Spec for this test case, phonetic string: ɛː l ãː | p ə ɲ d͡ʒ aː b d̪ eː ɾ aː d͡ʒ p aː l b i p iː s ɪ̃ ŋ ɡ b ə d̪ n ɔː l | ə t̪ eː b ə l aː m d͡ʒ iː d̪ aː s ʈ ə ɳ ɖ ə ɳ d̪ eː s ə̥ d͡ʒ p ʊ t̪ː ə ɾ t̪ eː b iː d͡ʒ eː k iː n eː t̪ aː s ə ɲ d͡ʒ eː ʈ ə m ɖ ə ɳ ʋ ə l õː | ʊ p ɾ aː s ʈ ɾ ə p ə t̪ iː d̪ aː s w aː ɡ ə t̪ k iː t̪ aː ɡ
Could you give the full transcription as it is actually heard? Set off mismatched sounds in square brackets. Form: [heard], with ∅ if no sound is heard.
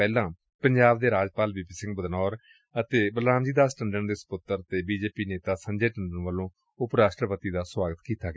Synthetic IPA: ɛː l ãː | p ə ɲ d͡ʒ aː b d̪ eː ɾ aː d͡ʒ p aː l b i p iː s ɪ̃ ŋ ɡ b ə d̪ n ɔː [ɾ] | ə t̪ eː b ə l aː m d͡ʒ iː d̪ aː s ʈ ə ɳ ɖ ə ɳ d̪ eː s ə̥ [∅] p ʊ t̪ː ə ɾ t̪ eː b iː d͡ʒ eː [p] iː n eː t̪ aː s ə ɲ d͡ʒ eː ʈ ə [ɳ] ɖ ə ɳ ʋ ə l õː | ʊ p ɾ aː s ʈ ɾ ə p ə t̪ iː d̪ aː s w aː ɡ ə t̪ k iː t̪ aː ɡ

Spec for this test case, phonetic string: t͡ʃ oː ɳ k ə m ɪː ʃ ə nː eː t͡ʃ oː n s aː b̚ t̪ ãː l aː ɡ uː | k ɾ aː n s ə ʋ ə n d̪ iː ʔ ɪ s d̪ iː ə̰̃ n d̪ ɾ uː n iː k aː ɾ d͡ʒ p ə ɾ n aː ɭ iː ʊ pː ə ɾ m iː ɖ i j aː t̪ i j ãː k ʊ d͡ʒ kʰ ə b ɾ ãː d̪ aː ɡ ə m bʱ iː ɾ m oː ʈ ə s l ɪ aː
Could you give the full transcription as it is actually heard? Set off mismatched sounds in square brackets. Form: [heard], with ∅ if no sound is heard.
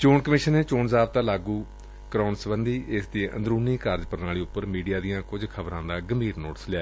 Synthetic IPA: t͡ʃ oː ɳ k ə m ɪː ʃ ə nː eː t͡ʃ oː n [z] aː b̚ t̪ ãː l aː ɡ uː | k ɾ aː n s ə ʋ ə n d̪ iː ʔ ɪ s d̪ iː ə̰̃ n d̪ ɾ uː n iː k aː ɾ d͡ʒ p ə ɾ n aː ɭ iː ʊ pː ə ɾ m iː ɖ i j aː [d̪] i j ãː k ʊ d͡ʒ kʰ ə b ɾ ãː d̪ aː ɡ ə m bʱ iː ɾ [n] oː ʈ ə s l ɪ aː

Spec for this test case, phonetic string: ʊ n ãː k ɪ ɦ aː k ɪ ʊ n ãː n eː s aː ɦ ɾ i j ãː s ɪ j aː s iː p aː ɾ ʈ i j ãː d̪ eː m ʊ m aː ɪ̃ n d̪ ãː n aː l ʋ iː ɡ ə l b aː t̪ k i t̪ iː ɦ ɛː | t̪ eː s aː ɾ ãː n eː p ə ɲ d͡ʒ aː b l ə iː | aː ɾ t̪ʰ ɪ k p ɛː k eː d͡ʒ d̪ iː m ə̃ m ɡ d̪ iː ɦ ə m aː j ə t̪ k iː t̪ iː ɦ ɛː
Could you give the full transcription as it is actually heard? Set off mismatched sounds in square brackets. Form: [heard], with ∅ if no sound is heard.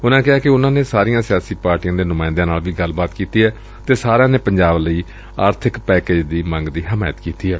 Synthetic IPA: ʊ n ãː k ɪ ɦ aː k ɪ ʊ n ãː n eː s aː [∅] ɾ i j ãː s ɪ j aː s iː p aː ɾ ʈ i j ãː d̪ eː [n] ʊ m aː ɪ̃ n d̪ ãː n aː l ʋ iː ɡ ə l b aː t̪ k [iː] t̪ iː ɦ ɛː | t̪ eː s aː ɾ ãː n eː p ə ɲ d͡ʒ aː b l ə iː | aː ɾ t̪ʰ ɪ k p ɛː k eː d͡ʒ d̪ iː m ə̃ [ŋ] ɡ d̪ iː ɦ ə m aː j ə t̪ k iː t̪ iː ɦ ɛː

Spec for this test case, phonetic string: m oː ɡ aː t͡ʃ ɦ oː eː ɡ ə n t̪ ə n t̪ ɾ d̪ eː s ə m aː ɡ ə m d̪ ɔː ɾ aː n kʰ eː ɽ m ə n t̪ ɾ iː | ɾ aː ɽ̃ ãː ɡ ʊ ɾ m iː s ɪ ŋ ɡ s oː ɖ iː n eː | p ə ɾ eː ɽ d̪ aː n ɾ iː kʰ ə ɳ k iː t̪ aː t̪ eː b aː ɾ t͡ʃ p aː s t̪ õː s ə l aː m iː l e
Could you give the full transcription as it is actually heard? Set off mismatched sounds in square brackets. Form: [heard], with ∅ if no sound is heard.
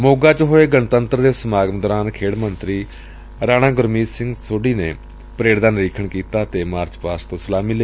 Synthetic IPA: m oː ɡ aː t͡ʃ ɦ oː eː ɡ ə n t̪ ə n t̪ ɾ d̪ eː s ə m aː ɡ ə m d̪ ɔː ɾ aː n kʰ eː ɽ m ə n t̪ ɾ iː | ɾ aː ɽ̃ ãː ɡ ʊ ɾ m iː s ɪ ŋ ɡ s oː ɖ iː n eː | p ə ɾ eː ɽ d̪ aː n ɾ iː kʰ ə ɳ k iː t̪ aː t̪ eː [m] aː ɾ t͡ʃ p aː s t̪ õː s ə l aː m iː l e

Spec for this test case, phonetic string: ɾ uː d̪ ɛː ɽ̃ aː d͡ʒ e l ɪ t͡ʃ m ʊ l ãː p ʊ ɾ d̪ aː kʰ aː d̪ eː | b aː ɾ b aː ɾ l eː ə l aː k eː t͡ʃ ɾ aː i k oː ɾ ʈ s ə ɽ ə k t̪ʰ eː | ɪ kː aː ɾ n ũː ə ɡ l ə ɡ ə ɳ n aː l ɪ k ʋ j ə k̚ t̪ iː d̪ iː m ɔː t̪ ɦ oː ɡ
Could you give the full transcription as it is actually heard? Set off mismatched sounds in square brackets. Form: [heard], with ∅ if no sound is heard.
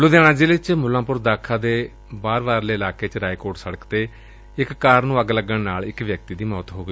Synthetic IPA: [l] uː d̪ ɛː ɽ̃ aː d͡ʒ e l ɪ t͡ʃ m ʊ l ãː p ʊ ɾ d̪ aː kʰ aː d̪ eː | b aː ɾ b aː ɾ l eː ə l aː k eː t͡ʃ ɾ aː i k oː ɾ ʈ s ə ɽ ə k [t̪] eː | ɪ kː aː ɾ n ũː ə ɡ l ə ɡ ə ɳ n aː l ɪ k ʋ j ə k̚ t̪ iː d̪ iː m ɔː t̪ ɦ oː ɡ

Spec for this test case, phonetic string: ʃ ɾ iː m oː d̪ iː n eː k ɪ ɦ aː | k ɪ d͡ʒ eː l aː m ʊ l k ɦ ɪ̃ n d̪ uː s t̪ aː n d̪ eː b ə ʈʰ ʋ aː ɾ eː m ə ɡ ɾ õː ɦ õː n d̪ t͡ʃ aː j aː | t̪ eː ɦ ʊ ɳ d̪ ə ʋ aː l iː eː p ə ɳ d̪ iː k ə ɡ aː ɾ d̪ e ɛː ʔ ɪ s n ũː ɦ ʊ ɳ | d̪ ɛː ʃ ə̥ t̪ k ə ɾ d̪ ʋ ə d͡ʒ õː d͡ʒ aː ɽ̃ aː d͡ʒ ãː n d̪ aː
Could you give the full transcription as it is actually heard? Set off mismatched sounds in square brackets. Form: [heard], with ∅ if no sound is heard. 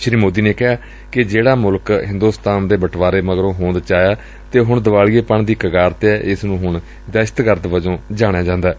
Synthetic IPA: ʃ ɾ iː m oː d̪ iː n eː k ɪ ɦ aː | k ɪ d͡ʒ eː [ɽ] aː m ʊ l k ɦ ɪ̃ n d̪ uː s t̪ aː n d̪ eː b ə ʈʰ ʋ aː ɾ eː m ə ɡ ɾ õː ɦ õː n d̪ t͡ʃ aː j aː | t̪ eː ɦ ʊ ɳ d̪ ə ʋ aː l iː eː p ə ɳ d̪ iː k ə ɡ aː ɾ [t̪] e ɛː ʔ ɪ s n ũː ɦ ʊ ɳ | d̪ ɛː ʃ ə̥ t̪ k ə ɾ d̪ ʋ ə d͡ʒ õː d͡ʒ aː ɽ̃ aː d͡ʒ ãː n d̪ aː

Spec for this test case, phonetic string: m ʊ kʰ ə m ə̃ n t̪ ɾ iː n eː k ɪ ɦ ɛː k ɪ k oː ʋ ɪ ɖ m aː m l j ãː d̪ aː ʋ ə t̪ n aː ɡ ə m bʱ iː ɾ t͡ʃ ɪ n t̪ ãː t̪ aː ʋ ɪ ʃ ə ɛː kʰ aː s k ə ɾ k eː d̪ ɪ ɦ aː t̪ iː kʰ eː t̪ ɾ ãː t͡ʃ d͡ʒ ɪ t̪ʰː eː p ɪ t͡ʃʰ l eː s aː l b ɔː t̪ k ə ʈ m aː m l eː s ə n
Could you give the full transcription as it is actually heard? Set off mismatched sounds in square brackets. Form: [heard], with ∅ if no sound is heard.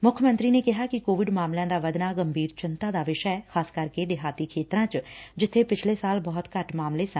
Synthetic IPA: m ʊ kʰ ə m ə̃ n t̪ ɾ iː n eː k ɪ ɦ [aː] k ɪ k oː ʋ ɪ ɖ m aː m l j ãː d̪ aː ʋ ə [d̪] n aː ɡ ə m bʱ iː ɾ t͡ʃ ɪ n t̪ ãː [d̪] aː ʋ ɪ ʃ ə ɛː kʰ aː s k ə ɾ k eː d̪ ɪ ɦ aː t̪ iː kʰ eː t̪ ɾ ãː t͡ʃ d͡ʒ ɪ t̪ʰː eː p ɪ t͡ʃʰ l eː s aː l b ɔː t̪ k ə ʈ m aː m l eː s ə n

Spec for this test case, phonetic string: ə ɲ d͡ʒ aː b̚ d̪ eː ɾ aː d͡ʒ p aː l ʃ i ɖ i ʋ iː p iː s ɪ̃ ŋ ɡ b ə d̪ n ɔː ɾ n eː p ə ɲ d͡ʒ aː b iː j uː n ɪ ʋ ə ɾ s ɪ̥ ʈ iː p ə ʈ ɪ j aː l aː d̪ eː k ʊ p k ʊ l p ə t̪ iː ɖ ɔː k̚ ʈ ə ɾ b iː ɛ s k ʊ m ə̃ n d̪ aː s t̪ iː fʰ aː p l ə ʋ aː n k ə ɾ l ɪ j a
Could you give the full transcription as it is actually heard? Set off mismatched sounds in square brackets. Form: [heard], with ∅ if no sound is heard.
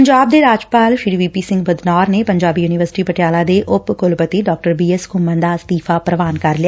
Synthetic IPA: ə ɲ d͡ʒ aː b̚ d̪ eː ɾ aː d͡ʒ p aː l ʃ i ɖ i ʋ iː p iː s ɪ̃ ŋ ɡ b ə d̪ n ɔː ɾ n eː p ə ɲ d͡ʒ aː b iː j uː n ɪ ʋ ə ɾ s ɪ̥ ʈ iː p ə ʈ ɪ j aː l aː d̪ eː [ʔ] ʊ p k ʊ l p ə t̪ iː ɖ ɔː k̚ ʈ ə ɾ b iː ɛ s k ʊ m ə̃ n d̪ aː s t̪ iː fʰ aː p [ɾ] ə ʋ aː n k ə ɾ l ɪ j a

